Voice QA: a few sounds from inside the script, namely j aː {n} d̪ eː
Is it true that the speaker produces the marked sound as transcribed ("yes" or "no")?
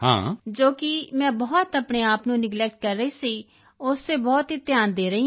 yes